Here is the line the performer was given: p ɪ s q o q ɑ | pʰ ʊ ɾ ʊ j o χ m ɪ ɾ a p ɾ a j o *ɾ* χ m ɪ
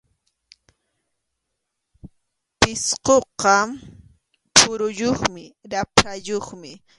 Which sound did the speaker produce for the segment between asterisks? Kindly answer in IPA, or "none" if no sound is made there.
none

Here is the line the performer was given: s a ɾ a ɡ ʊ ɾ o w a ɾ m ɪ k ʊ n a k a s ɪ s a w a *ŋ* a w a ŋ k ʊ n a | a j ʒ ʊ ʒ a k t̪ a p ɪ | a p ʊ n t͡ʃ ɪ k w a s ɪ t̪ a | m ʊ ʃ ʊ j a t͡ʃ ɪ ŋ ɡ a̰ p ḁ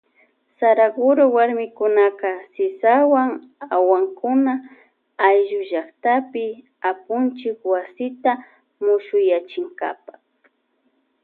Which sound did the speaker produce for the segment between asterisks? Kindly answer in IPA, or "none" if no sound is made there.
ŋ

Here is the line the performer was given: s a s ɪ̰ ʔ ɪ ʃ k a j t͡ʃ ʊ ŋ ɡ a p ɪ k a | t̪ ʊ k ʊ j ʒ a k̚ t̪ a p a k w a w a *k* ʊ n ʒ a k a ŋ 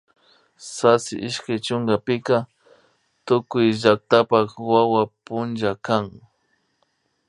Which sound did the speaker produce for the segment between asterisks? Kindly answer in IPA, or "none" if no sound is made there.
p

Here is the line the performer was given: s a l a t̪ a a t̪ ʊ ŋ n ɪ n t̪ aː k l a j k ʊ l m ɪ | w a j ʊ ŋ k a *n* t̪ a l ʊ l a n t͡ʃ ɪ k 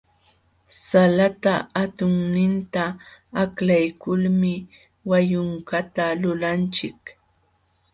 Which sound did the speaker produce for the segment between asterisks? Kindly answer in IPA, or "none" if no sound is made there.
none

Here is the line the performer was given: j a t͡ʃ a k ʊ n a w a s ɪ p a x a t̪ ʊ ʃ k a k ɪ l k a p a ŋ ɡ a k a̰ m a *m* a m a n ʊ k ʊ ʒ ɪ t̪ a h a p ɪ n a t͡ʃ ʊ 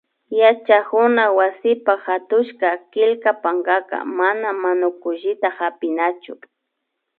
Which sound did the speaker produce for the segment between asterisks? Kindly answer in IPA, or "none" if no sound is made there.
n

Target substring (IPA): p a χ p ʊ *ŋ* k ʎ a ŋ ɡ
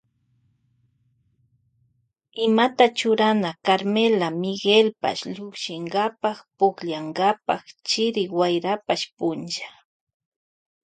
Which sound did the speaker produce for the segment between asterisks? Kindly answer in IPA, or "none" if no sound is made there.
none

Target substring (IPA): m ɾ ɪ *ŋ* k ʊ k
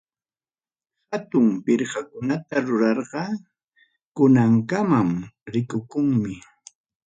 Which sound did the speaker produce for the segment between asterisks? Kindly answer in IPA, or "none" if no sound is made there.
none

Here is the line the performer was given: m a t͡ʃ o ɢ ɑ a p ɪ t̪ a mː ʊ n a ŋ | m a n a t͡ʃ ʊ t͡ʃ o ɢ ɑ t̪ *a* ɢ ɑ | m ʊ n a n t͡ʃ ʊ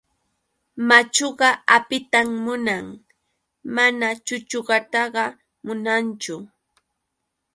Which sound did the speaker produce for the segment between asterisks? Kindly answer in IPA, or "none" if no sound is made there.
ɑ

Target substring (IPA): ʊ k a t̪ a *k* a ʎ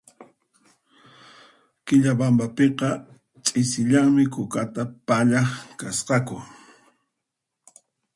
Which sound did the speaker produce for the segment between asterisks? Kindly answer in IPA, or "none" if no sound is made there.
p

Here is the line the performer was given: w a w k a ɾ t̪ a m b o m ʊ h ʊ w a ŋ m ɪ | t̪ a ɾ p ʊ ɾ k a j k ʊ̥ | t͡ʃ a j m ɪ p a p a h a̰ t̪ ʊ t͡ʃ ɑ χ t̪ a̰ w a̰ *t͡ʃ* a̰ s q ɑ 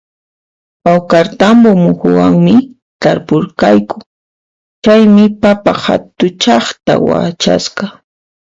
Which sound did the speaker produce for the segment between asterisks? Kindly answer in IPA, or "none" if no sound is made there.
t͡ʃ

